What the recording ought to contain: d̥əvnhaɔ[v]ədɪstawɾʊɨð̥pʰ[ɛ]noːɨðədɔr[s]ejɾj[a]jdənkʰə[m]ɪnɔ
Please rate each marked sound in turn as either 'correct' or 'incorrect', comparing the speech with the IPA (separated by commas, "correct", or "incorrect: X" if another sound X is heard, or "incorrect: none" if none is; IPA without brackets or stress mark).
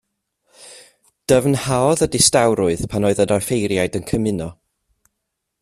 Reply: incorrect: ð, incorrect: a, incorrect: f, correct, correct